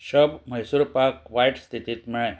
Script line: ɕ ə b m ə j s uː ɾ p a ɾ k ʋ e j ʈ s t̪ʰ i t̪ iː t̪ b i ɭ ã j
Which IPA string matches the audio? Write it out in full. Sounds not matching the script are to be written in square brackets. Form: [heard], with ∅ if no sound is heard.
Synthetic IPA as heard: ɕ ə b m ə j s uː ɾ p a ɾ k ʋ [a] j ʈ s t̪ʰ i t̪ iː t̪ [m] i ɭ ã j